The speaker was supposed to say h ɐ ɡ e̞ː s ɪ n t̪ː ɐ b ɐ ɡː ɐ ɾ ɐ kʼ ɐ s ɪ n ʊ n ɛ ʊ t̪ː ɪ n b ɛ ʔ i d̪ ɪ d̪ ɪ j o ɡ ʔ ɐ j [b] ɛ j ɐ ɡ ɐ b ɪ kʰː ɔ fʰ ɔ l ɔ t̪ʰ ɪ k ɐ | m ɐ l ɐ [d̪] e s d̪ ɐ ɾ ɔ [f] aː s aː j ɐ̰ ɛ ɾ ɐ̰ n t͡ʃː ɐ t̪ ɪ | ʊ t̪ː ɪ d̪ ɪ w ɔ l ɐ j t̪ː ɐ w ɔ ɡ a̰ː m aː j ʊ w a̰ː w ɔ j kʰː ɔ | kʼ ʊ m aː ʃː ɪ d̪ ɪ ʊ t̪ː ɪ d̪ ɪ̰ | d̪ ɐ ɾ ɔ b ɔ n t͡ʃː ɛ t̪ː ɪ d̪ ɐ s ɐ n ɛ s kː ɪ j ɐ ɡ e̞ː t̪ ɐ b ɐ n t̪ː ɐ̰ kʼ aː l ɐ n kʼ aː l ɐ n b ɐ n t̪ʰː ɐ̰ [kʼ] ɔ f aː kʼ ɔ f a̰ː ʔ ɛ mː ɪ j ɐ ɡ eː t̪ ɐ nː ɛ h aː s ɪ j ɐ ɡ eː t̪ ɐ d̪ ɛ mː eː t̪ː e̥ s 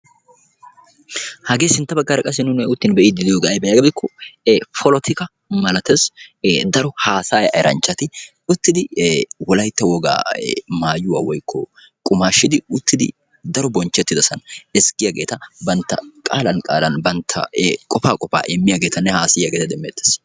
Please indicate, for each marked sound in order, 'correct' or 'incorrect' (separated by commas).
correct, incorrect, incorrect, correct